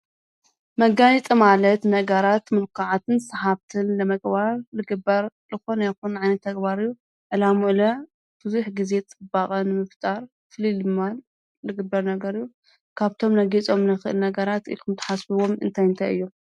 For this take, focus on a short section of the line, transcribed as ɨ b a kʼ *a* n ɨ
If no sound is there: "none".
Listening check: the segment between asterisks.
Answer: ɐ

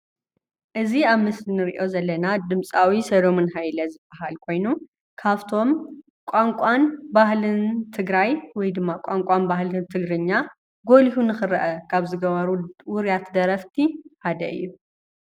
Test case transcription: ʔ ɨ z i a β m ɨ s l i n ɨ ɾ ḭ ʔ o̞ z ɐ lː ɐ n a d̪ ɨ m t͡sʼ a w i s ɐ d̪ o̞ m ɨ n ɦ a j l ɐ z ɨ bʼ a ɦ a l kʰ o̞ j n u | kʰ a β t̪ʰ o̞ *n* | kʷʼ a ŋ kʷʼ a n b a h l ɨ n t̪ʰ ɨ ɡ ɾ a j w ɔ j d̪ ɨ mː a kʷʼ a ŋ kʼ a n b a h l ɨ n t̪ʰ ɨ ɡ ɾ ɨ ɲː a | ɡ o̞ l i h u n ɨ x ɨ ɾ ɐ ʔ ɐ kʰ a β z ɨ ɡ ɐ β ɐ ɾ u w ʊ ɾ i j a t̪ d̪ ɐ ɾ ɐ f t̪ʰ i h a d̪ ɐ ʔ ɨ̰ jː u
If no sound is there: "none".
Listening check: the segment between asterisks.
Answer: m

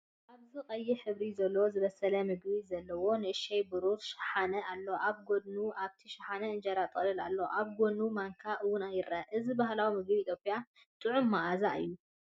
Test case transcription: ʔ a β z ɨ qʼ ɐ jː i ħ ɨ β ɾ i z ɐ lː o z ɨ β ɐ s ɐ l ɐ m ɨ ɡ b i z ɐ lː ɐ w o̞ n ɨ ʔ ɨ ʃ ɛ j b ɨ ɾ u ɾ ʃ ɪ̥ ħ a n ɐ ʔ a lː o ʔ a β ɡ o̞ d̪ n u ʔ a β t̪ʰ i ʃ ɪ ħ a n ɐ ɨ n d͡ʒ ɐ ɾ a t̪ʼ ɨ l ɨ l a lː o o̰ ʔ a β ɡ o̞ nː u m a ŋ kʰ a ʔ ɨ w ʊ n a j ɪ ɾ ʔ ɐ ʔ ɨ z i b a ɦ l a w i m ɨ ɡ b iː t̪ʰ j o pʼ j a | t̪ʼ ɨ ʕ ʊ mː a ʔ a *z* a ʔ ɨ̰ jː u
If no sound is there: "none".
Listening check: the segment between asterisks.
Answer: z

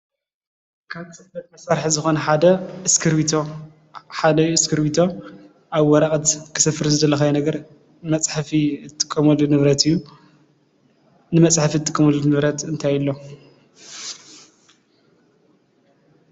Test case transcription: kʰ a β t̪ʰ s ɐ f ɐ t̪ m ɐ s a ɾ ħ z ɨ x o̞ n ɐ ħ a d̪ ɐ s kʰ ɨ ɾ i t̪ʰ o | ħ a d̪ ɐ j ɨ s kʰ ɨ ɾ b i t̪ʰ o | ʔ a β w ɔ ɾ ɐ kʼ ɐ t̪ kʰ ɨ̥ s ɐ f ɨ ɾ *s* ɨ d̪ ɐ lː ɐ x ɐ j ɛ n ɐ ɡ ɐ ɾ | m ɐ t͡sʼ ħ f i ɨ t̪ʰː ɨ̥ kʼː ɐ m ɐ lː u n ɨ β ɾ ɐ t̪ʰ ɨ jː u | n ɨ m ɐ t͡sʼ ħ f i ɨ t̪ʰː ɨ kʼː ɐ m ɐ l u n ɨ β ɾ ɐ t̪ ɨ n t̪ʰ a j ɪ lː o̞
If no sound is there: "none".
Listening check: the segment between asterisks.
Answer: z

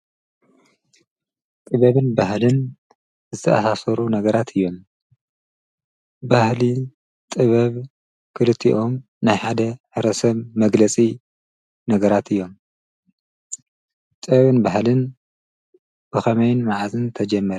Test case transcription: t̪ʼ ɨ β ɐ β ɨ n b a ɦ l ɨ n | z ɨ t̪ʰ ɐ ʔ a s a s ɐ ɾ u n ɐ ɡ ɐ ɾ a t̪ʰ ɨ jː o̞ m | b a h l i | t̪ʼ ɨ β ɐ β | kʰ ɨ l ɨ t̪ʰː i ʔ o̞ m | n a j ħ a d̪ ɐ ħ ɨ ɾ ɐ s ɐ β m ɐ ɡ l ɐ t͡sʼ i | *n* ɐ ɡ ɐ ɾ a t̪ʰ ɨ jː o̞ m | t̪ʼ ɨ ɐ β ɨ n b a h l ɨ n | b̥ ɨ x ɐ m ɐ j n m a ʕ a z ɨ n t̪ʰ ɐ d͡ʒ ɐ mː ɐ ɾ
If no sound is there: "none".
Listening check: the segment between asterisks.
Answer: n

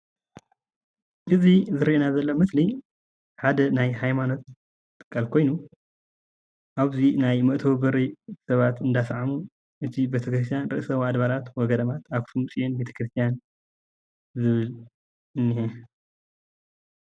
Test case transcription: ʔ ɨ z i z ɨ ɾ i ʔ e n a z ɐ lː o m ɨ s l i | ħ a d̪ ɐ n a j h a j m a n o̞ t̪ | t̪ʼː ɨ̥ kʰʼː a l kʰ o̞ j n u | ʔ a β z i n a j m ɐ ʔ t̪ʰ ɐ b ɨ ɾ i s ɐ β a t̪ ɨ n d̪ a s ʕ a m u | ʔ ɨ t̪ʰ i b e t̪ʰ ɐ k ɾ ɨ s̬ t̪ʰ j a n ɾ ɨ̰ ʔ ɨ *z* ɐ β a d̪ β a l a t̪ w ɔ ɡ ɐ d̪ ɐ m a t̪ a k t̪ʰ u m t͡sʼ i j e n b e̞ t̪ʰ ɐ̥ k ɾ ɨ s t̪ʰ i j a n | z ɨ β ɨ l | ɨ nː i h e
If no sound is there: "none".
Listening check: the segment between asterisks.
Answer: s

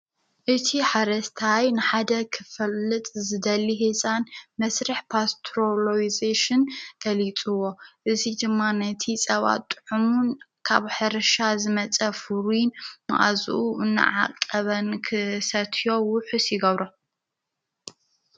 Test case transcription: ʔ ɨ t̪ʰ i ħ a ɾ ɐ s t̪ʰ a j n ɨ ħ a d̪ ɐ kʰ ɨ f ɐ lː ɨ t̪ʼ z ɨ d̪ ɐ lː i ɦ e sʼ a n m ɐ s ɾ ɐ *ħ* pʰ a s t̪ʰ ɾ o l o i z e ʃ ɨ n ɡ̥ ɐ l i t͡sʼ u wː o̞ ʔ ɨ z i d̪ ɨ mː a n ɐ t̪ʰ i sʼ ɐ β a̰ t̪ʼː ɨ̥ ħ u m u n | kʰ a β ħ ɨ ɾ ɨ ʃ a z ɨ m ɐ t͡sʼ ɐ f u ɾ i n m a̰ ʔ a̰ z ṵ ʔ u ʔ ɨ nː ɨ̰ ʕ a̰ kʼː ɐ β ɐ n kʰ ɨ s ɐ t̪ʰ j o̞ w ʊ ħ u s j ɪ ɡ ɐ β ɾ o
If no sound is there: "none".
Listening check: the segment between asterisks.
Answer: ħ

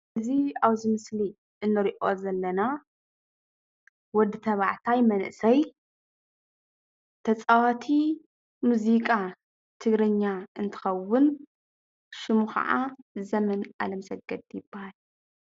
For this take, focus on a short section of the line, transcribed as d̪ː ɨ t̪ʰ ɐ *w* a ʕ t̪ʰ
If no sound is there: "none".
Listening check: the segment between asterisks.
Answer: β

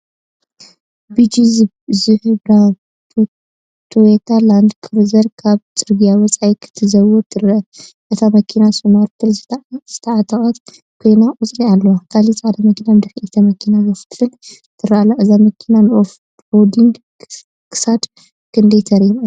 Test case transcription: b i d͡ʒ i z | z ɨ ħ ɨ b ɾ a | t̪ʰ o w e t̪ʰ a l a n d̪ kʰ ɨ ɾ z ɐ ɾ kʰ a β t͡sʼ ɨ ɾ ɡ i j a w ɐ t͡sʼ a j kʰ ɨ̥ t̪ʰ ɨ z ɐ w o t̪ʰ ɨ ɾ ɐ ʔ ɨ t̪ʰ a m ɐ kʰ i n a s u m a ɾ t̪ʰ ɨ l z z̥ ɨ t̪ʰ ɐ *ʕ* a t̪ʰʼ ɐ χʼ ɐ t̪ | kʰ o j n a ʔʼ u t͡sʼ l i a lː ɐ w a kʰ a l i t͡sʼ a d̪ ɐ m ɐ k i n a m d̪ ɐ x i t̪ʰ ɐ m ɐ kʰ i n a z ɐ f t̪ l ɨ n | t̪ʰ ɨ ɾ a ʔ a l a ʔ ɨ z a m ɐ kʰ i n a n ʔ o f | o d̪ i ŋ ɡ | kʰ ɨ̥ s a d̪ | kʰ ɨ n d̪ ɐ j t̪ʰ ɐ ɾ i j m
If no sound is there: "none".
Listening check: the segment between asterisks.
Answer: ʕ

